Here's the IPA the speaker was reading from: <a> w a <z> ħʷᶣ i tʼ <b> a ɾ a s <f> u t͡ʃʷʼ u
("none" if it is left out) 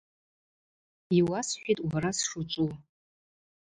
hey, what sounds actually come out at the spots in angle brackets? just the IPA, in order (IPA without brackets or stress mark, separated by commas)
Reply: i, s, w, ʂ